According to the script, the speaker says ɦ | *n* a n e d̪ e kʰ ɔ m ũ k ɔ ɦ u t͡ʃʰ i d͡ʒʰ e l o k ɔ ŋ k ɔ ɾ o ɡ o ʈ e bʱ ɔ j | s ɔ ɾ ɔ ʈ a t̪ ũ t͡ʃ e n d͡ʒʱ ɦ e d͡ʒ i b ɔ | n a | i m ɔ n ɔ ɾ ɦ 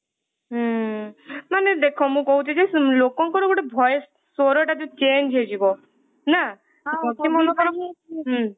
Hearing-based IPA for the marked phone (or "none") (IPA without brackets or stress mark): m